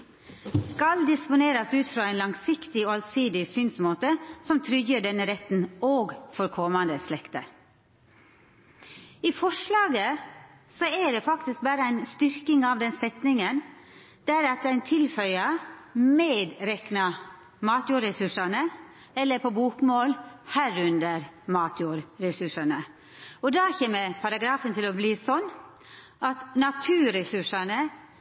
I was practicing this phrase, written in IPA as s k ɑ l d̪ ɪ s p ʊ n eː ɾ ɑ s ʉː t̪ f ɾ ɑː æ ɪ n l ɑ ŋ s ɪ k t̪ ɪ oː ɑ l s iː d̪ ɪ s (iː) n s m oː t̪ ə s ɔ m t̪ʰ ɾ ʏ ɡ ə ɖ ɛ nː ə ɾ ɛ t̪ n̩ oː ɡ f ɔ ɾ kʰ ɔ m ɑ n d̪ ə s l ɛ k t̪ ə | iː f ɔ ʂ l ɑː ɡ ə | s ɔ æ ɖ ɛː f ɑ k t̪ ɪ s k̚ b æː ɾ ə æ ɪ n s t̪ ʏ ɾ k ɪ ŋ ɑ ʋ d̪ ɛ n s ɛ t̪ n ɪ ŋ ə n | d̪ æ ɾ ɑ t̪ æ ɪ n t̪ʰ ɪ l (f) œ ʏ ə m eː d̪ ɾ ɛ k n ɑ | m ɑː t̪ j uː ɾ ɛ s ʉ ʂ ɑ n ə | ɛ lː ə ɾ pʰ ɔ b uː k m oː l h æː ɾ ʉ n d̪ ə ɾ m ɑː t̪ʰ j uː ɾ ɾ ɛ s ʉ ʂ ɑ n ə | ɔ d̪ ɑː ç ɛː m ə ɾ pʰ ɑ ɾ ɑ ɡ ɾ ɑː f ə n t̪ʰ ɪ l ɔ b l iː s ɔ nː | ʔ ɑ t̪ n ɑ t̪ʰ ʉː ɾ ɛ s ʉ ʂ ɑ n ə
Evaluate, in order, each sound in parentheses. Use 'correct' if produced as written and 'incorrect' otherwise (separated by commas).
incorrect, correct